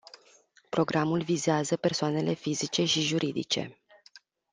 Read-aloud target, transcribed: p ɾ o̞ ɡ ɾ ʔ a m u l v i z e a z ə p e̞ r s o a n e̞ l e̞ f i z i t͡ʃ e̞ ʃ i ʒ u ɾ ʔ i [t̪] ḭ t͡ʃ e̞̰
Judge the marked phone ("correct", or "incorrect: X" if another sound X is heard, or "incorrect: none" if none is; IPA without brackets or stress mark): incorrect: d̪